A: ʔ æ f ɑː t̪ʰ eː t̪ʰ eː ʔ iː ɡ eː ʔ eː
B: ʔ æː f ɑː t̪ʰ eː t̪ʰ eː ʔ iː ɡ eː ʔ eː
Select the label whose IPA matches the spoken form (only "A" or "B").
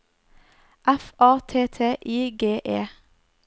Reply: A